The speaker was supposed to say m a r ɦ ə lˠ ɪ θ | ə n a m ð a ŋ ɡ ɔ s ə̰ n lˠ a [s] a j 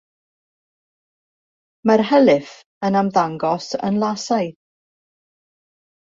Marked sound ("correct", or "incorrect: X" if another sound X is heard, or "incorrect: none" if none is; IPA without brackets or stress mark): correct